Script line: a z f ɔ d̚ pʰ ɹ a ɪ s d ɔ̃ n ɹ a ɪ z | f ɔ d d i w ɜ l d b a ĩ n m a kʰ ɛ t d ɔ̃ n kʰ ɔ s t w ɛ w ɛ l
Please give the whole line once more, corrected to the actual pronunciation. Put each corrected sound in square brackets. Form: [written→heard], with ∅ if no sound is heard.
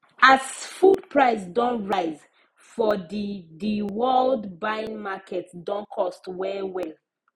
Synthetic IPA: a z f [ɔ→u] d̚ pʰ ɹ a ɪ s d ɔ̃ n ɹ a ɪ z | f ɔ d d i w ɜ l d b a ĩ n m a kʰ ɛ t d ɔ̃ n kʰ ɔ s t w ɛ w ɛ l

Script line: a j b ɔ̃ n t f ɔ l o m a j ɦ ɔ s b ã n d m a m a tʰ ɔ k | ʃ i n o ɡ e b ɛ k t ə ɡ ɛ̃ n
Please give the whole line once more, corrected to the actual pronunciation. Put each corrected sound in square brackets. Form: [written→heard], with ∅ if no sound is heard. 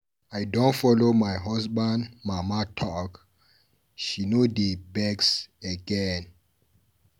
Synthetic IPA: a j [b→d] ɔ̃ n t f ɔ l o m a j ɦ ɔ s b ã n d m a m a tʰ ɔ k | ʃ i n o [ɡ→d] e b ɛ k [t→s] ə ɡ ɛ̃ n

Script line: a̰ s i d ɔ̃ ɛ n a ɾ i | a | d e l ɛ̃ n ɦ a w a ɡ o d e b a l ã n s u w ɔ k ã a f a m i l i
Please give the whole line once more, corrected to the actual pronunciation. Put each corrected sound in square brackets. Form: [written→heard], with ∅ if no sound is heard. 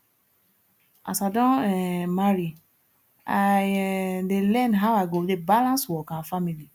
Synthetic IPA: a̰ s [i→a] d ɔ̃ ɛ [n→m] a ɾ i | a | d e l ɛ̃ n ɦ a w a ɡ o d e b a l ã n s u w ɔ k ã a f a m i l i

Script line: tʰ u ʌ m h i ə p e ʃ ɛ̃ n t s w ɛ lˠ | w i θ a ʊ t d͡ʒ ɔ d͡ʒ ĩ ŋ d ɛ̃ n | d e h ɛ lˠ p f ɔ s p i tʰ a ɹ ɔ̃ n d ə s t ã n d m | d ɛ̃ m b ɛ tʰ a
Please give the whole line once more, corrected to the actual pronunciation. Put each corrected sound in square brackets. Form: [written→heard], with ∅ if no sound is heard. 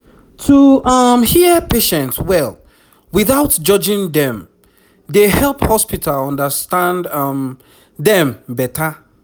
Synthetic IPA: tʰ u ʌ m h i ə p e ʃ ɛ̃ n t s w ɛ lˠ | w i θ a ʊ t d͡ʒ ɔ d͡ʒ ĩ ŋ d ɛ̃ [n→m] | d e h ɛ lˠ p [f→h] ɔ s p i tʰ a [ɹ→l] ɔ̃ n d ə s t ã n d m | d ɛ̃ m b ɛ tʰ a

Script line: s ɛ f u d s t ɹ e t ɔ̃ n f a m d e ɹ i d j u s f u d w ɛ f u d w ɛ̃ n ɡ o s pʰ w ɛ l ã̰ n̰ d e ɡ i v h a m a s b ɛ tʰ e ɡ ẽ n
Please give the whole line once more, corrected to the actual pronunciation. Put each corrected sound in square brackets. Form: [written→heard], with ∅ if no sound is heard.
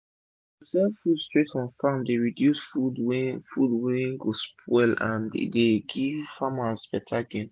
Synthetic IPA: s ɛ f u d s t ɹ e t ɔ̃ n f a m d e ɹ i d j u s f u d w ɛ f u d w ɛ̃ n ɡ o s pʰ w ɛ l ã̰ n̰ d e ɡ i v [h→f] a m a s b ɛ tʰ [e→a] ɡ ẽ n

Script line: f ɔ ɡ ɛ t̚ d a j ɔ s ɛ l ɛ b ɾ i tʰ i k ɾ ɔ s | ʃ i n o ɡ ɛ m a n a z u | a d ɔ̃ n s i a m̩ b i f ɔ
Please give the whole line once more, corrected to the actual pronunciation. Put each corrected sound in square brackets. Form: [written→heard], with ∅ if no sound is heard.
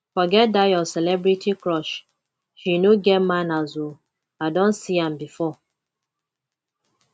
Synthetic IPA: f ɔ ɡ ɛ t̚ d a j ɔ s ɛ l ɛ b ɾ i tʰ i k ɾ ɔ [s→ʃ] | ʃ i n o ɡ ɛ m a n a z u | a d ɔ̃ n s i a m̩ b i f ɔ

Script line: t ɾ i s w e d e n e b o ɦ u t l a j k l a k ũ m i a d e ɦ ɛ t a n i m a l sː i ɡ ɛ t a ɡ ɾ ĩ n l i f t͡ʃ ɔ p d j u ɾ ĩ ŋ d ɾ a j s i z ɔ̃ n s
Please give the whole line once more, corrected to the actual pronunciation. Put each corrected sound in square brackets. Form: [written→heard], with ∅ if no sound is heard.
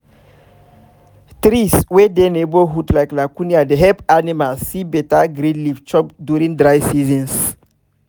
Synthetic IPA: t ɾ i s w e d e n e b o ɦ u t l a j k l a k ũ [m→n] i a d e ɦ ɛ [t→p] a n i m a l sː i [ɡ→b] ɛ t a ɡ ɾ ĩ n l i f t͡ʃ ɔ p d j u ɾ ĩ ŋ d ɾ a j s i z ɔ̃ n s

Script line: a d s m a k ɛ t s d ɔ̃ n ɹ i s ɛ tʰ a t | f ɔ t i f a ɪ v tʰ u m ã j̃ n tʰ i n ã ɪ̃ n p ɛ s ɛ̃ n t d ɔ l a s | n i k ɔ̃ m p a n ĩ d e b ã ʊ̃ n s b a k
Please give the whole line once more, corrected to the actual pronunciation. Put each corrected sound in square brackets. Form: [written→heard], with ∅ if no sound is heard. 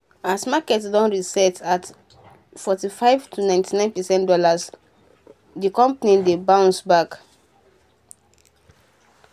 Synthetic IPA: a [d→∅] s m a k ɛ t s d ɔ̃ n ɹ i s ɛ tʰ a t | f ɔ t i f a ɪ v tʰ u [m→n] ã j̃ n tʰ i n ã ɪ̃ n p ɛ s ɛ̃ n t d ɔ l a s | [n→d] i k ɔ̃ m p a n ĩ d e b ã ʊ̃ n s b a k

